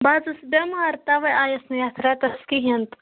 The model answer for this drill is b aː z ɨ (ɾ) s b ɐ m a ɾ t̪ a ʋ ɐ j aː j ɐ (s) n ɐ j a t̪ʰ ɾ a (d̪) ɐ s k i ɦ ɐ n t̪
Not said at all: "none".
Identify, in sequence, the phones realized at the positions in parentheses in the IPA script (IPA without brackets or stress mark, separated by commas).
none, s, t̪